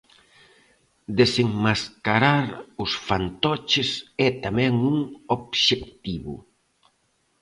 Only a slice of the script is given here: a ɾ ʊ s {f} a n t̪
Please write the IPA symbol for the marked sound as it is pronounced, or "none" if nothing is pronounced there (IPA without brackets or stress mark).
f